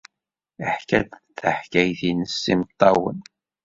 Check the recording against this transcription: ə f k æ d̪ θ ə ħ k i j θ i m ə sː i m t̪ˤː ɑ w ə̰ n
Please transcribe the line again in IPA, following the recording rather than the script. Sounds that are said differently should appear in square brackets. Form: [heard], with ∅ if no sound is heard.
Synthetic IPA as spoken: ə [ħ] k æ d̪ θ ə ħ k [æ] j θ i [n] ə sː i m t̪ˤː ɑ w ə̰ n